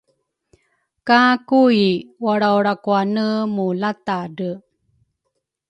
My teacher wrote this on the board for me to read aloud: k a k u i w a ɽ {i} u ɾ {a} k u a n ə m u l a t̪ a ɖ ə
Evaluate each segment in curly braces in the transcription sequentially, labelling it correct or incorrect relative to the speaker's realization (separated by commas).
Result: incorrect, correct